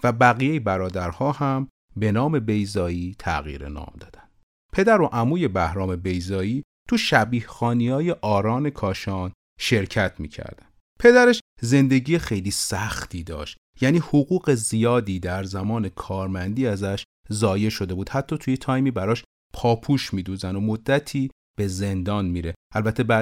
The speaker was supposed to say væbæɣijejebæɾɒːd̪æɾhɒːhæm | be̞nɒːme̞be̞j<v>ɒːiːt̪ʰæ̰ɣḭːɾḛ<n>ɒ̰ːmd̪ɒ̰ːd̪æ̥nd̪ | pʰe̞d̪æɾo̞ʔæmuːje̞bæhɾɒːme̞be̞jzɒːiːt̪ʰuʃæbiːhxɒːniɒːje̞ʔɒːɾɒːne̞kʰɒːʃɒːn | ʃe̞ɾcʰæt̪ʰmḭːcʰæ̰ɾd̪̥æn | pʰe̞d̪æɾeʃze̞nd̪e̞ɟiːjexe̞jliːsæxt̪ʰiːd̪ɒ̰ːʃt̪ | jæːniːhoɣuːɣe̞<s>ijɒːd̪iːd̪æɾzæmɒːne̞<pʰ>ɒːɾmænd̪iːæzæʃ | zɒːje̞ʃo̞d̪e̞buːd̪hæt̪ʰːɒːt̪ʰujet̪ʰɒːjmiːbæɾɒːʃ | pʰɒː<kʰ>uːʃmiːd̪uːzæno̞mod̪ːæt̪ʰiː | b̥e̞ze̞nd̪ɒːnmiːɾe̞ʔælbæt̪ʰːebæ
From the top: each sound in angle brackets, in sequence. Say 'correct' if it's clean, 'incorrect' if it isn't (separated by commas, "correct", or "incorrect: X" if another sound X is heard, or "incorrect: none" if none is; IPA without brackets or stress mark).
incorrect: z, correct, incorrect: z, incorrect: kʰ, incorrect: pʰ